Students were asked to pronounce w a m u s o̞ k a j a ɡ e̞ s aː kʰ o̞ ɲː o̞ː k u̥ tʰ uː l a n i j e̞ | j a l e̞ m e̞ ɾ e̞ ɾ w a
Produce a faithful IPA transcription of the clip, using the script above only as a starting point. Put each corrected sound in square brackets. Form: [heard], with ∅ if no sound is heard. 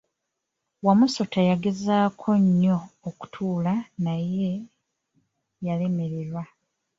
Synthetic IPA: w a m u s o̞ [t] a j a ɡ e̞ [z] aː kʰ o̞ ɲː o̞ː k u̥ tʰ uː l a n [a] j e̞ | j a l e̞ m e̞ ɾ e̞ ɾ w a

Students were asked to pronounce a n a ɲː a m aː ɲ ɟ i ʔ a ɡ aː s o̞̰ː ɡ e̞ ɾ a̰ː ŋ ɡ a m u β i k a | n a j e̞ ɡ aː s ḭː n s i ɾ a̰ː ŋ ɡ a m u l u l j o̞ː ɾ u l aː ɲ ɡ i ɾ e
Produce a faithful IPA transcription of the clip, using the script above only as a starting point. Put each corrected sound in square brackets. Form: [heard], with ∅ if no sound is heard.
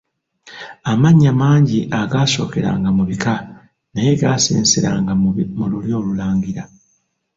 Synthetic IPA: a [m] a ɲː a m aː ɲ ɟ i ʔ a ɡ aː s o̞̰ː [k] e̞ ɾ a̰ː ŋ ɡ a m u β i k a | n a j e̞ ɡ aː s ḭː n s i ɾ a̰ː ŋ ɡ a m u l u l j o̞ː [l] u l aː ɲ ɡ i ɾ [a]

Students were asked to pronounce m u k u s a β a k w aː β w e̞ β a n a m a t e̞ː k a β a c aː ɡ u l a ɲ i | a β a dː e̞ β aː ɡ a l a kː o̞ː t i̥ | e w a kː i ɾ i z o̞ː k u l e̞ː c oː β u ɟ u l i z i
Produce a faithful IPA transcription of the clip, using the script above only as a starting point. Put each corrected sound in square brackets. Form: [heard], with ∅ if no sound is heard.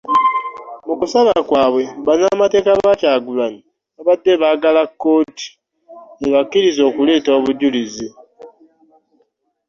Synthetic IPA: m u k u s a β a k w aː β w e̞ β a n a m a t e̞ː k a β a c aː ɡ u l a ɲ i | a β a dː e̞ β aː ɡ a l a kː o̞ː t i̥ | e [β] a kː i ɾ i z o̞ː k u l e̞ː [t] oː β u ɟ u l i z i

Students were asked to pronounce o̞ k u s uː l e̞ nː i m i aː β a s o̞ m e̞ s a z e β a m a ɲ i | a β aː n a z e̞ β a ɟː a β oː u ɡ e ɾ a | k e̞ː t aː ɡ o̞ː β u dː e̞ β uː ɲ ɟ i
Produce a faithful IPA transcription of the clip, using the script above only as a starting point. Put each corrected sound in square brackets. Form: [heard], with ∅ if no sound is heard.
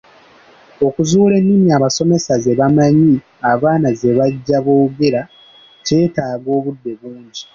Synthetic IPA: o̞ k u [z] uː l e̞ nː i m i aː β a s o̞ m e̞ s a z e β a m a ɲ i | a β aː n a z e̞ β a ɟː a β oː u ɡ e ɾ a | [c] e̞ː t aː ɡ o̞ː β u dː e̞ β uː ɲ ɟ i

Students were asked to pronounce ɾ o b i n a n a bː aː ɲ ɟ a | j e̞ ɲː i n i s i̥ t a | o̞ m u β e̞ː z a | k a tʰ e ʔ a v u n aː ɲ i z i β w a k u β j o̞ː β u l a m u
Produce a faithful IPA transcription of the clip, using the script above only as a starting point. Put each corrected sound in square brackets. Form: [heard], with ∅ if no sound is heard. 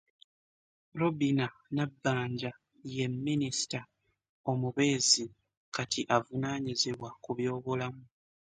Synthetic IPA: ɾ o b i n a n a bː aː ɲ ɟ a | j e̞ [mː] i n i s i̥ t a | o̞ m u β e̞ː z [i] | k a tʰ [i] ʔ a v u n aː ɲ i z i β w a k u β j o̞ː β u l a m u

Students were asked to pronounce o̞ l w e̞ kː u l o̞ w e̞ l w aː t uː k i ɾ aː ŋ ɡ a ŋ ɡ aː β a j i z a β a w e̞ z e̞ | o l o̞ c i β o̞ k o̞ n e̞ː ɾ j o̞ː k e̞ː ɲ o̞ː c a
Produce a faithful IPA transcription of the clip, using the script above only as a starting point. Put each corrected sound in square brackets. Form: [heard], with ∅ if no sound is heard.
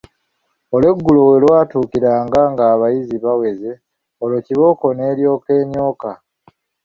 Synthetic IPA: o̞ l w e̞ [ɡː] u l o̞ w e̞ l w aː t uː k i ɾ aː ŋ ɡ a ŋ ɡ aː β a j i z [i] β a w e̞ z e̞ | o l o̞ c i β o̞ k o̞ n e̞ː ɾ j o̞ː k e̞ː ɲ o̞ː [k] a

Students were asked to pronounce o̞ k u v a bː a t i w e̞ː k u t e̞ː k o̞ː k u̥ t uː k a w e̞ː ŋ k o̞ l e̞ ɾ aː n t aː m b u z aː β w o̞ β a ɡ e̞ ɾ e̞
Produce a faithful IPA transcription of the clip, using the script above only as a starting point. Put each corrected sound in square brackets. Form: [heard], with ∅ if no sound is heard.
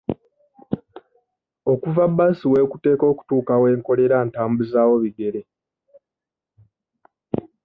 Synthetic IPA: o̞ k u v a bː a [s] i w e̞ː k u t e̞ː k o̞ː k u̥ t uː k a w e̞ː ŋ k o̞ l e̞ ɾ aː n t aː m b u z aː [∅] w o̞ β [i] ɡ e̞ ɾ e̞

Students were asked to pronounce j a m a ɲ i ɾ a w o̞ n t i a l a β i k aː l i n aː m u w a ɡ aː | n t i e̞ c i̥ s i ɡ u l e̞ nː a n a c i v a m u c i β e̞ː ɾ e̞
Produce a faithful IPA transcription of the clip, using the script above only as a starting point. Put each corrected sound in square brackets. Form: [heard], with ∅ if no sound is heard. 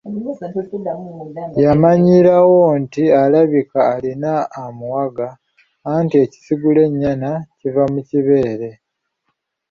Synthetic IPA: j a m a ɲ i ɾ a w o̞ n t i a l a β i k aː l i n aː m u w a ɡ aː | n t i e̞ c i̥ s i ɡ u l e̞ [ɲː] a n a c i v a m u c i β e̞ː ɾ e̞

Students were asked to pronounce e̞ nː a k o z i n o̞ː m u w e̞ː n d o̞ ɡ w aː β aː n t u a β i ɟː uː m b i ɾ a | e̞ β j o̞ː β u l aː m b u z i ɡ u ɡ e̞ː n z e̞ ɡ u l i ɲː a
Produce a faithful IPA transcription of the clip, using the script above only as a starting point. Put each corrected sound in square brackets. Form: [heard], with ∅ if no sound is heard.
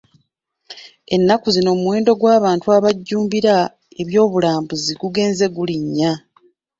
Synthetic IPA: e̞ nː a k [u] z i n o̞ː m u w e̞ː n d o̞ ɡ w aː β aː n t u a β [a] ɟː uː m b i ɾ a | e̞ β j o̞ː β u l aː m b u z i ɡ u ɡ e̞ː n z e̞ ɡ u l i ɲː a

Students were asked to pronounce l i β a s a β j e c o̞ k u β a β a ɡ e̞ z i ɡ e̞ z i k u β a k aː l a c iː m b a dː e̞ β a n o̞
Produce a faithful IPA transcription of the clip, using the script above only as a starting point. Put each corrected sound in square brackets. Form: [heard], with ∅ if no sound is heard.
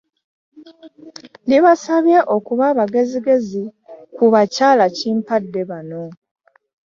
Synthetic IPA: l i β a s a β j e [ʔ] o̞ k u β a β a ɡ e̞ z i ɡ e̞ z i k u β a [c] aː l a c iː m [p] a dː e̞ β a n o̞

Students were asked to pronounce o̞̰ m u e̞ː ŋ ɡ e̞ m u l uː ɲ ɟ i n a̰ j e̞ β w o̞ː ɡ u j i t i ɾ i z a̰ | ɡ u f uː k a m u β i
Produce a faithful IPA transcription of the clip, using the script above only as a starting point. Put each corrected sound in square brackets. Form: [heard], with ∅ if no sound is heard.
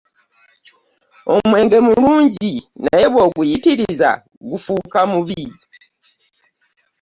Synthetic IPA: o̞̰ m [w] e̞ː ŋ ɡ e̞ m u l uː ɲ ɟ i n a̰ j e̞ β w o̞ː ɡ u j i t i ɾ i z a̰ | ɡ u f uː k a m u β i

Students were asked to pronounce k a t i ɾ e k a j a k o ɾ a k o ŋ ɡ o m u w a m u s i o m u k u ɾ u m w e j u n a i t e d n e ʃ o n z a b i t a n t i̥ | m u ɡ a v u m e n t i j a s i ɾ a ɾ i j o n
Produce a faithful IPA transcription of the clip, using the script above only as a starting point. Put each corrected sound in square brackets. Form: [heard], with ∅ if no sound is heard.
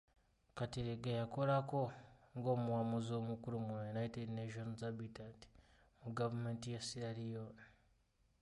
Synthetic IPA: k a t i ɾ e [ɡ] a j a k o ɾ a k o ŋ ɡ o m u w a m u [z] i o m u k u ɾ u m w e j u n a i t e d n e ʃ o n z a b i t a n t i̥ | m u ɡ a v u m e n t i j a s i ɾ a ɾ i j o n

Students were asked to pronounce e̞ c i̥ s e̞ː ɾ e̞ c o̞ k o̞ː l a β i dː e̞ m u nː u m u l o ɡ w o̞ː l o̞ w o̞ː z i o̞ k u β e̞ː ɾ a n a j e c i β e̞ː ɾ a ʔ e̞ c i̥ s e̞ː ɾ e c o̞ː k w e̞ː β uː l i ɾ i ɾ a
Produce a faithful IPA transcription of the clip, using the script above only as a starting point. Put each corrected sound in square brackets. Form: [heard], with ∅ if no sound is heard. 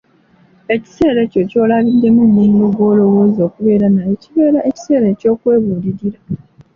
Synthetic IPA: e̞ c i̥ s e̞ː ɾ e̞ c o̞ [c] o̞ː l a β i dː e̞ m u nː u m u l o ɡ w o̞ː l o̞ w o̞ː z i o̞ k u β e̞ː ɾ a n a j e c i β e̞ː ɾ a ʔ e̞ c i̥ s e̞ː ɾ e c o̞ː k w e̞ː β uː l i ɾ i ɾ a

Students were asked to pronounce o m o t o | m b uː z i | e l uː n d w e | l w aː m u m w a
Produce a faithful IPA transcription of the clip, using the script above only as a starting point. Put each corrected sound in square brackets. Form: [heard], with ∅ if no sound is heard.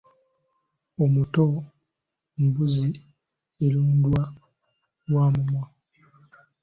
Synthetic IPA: o m [u] t o | m b [u] z i | e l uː n d w [a] | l w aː m u m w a

